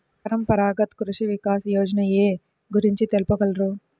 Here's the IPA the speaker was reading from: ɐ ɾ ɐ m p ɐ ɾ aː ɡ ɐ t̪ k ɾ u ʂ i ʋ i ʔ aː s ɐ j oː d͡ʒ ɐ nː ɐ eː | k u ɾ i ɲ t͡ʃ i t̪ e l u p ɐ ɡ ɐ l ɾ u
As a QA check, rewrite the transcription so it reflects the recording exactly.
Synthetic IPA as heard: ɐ ɾ ɐ m p ɐ ɾ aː ɡ ɐ t̪ k ɾ u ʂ i ʋ i k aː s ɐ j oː d͡ʒ ɐ n ɐ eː | ɡ u ɾ i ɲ t͡ʃ i t̪ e l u p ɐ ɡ ɐ l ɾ u